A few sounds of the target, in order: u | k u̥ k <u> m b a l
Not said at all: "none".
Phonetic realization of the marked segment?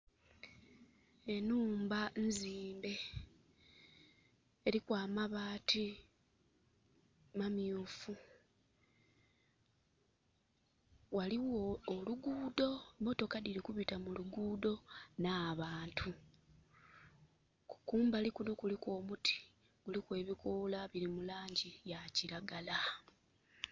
uː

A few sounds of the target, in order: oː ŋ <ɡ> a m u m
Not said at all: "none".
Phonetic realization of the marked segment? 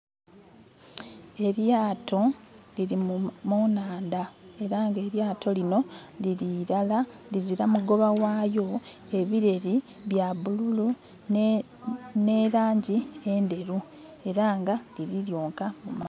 k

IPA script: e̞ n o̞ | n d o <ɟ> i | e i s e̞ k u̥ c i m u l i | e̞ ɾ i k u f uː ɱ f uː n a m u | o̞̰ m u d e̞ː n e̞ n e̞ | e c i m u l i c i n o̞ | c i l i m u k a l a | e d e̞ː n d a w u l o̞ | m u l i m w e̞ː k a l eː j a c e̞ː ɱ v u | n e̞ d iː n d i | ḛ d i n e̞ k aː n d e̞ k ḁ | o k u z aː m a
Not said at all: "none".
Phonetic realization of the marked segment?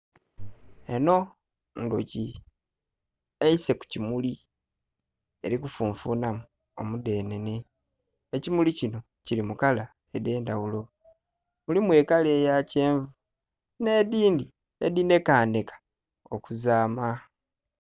c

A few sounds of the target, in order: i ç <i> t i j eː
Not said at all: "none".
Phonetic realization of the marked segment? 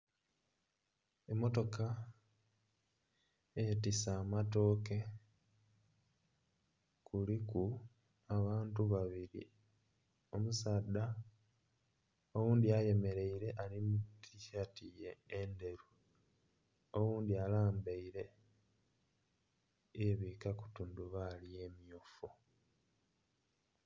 a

